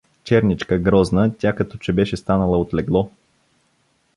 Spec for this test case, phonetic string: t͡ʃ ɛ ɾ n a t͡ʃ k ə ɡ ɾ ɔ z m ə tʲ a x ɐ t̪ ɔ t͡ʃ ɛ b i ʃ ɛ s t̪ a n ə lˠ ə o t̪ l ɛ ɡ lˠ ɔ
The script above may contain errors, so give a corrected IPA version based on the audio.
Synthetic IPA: t͡ʃ ɛ ɾ n i t͡ʃ k ə ɡ ɾ ɔ z n ə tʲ a k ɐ t̪ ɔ t͡ʃ ɛ b ɛ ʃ ɛ s t̪ a n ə lˠ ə o t̪ l ɛ ɡ lˠ ɔ